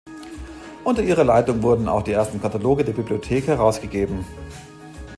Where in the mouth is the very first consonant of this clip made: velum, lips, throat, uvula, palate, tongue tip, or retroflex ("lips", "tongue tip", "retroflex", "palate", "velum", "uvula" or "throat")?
throat